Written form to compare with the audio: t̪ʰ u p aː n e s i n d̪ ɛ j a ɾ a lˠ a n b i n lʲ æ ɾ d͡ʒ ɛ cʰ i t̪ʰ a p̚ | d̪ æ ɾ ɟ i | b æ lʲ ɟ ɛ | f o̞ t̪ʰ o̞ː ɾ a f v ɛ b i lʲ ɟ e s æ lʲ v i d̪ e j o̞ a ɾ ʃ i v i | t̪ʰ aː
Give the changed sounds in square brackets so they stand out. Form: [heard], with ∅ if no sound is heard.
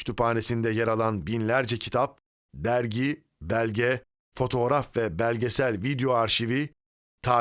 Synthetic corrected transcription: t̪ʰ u p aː n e s i n d̪ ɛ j a ɾ a lˠ a n b i n lʲ æ ɾ d͡ʒ ɛ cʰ i t̪ʰ a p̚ | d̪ æ ɾ ɟ i | b æ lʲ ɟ ɛ | f o̞ t̪ʰ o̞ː ɾ a f v ɛ b [æ] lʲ ɟ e s æ lʲ v i d̪ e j o̞ a ɾ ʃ i v i | t̪ʰ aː